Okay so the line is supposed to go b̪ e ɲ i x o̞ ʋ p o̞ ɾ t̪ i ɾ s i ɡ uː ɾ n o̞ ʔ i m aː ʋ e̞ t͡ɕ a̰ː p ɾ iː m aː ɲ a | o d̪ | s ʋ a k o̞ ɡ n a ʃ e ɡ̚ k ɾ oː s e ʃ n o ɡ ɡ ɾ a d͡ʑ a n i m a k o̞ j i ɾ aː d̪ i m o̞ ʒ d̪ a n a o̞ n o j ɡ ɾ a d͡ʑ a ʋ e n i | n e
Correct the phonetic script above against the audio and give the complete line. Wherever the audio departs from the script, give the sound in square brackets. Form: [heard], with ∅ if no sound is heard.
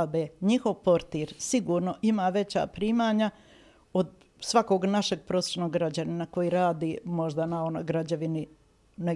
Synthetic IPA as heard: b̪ e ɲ i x o̞ ʋ p o̞ ɾ t̪ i ɾ s i ɡ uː ɾ n o̞ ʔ i m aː ʋ e̞ t͡ɕ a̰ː p ɾ iː m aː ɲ a | o d̪ | s ʋ a k o̞ ɡ n a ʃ e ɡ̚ [p] ɾ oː s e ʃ n o ɡ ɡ ɾ a d͡ʑ a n i [n] a k o̞ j i ɾ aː d̪ i m o̞ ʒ d̪ a n a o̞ n o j ɡ ɾ a d͡ʑ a ʋ [i] n i | n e